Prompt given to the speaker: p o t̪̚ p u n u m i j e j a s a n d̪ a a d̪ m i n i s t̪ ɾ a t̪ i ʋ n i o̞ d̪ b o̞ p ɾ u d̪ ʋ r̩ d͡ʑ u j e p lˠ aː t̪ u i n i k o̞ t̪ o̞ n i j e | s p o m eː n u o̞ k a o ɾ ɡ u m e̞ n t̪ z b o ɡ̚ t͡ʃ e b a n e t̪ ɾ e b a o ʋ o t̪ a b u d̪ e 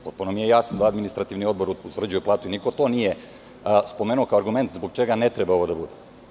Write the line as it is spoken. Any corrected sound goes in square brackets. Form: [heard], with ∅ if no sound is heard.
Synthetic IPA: p o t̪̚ p u n [o] m i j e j a s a n d̪ a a d̪ m i n i s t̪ ɾ a t̪ i ʋ n i o̞ d̪ b o̞ [∅] ɾ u [t̪] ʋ r̩ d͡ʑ u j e p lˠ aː t̪ u i n i k o̞ t̪ o̞ n i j e | s p o m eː n u o̞ k a o ɾ ɡ u m e̞ n t̪ z b o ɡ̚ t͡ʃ e [ɡ] a n e t̪ ɾ e b a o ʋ o [d̪] a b u d̪ e